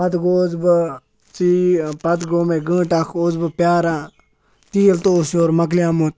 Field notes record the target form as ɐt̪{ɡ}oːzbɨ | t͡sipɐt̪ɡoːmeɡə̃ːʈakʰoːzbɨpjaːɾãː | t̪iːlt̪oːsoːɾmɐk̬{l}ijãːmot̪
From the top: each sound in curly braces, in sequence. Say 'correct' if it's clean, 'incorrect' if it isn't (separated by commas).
correct, correct